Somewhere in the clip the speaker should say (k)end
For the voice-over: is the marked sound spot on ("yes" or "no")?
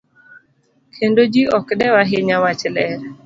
no